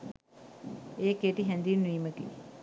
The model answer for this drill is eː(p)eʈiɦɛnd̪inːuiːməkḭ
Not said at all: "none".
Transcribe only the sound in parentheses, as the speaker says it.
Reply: k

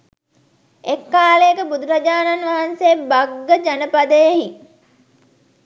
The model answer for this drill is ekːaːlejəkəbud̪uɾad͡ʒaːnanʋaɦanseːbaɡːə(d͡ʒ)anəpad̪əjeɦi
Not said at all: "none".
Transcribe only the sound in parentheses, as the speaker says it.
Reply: d͡ʒ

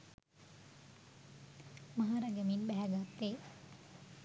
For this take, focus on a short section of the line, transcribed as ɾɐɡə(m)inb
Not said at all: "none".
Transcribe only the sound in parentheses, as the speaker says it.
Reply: m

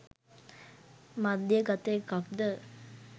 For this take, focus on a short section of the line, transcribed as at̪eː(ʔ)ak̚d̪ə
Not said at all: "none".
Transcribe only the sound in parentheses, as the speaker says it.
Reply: k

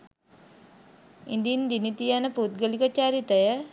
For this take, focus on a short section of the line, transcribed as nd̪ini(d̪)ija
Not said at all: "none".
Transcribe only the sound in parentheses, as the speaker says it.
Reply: t̪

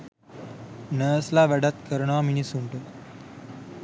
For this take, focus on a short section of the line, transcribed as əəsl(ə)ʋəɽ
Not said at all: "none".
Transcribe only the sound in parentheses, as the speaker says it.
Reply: a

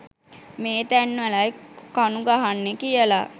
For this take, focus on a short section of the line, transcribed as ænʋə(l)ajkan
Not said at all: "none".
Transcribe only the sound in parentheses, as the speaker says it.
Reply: l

